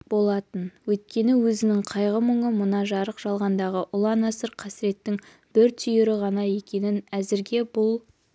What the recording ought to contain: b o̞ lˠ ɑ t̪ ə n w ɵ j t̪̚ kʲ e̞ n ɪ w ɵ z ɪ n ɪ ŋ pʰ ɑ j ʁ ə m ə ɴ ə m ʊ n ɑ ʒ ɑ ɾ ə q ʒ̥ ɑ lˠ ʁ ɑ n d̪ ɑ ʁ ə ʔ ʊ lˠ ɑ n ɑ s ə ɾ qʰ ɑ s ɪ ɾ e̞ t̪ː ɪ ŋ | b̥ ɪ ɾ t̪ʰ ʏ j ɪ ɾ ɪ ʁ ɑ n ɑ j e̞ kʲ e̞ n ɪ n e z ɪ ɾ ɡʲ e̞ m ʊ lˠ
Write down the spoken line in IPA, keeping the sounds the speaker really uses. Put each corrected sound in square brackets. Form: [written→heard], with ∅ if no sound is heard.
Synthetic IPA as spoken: b o̞ lˠ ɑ t̪ ə n w ɵ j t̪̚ kʲ e̞ n ɪ w ɵ z ɪ n ɪ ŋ [pʰ→qʰ] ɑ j ʁ ə m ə ɴ ə m ʊ n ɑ ʒ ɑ ɾ ə q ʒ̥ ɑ lˠ ʁ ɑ n d̪ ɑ ʁ ə ʔ ʊ lˠ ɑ n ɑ s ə ɾ qʰ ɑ s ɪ ɾ e̞ t̪ː ɪ ŋ | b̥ ɪ ɾ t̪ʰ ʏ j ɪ ɾ ɪ ʁ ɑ n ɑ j e̞ kʲ e̞ n ɪ n [e→æ] z ɪ ɾ ɡʲ e̞ [m→b] ʊ lˠ